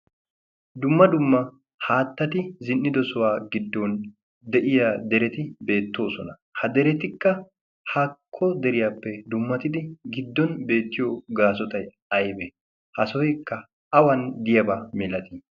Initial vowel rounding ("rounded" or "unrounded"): rounded